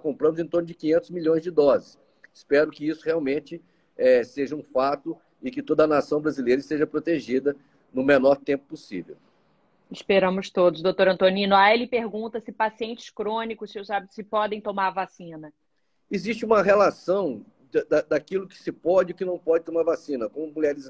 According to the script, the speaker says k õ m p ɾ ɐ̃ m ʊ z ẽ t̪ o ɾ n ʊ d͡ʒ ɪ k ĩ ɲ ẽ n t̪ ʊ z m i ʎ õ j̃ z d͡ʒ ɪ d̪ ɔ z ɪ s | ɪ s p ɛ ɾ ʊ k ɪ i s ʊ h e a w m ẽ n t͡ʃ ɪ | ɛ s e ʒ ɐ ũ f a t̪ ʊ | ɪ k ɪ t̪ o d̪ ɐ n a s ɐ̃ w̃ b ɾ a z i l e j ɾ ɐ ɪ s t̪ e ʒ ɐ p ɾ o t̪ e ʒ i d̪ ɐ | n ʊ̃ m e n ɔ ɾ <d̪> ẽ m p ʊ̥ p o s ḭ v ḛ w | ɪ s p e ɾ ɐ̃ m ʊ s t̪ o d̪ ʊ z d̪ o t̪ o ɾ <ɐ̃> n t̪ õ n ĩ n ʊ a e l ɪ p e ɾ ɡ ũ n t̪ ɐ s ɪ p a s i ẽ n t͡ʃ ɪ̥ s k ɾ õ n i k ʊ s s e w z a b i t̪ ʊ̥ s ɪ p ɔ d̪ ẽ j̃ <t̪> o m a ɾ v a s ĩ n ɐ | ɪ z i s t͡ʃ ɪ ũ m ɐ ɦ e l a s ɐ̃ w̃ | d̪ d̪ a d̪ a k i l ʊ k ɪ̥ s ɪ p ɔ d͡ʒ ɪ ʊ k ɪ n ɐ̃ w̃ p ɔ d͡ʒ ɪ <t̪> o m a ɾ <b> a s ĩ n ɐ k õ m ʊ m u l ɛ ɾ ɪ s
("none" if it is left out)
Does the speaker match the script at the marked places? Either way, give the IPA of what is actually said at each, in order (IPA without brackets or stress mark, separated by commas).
t̪, ɐ̃, t̪, t̪, v